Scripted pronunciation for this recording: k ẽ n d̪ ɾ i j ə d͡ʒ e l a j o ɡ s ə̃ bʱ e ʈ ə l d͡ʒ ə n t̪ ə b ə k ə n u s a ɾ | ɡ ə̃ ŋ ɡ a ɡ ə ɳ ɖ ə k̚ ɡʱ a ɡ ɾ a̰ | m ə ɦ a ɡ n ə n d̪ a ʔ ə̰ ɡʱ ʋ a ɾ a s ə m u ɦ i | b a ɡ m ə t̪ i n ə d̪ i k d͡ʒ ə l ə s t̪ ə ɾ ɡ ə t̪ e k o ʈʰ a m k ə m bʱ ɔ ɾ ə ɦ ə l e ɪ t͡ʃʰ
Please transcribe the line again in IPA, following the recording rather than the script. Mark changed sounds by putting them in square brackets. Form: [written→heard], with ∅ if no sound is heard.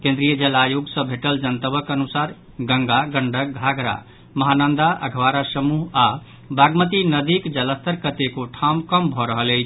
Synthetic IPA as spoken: k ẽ n d̪ ɾ i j ə d͡ʒ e l a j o ɡ s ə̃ bʱ e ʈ ə l d͡ʒ ə n t̪ ə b ə k ə n u s a ɾ | ɡ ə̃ ŋ ɡ a ɡ ə ɳ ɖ ə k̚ ɡʱ a ɡ ɾ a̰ | m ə ɦ a [ɡ→∅] n ə n d̪ a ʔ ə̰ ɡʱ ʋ a ɾ a s ə m u ɦ [i→a] | b a ɡ m ə t̪ i n ə d̪ i k d͡ʒ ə l ə s t̪ ə ɾ [ɡ→k] ə t̪ e k o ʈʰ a m k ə m bʱ ɔ ɾ ə ɦ ə l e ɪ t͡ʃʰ